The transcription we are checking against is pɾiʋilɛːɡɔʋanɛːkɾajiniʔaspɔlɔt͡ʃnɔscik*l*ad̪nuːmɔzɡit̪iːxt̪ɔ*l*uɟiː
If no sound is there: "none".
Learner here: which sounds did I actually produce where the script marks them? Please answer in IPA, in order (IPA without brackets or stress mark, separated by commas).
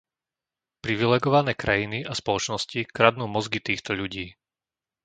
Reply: ɾ, ʎ